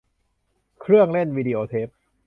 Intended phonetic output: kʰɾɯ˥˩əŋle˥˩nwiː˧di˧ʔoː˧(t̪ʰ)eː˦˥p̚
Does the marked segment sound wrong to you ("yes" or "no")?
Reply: no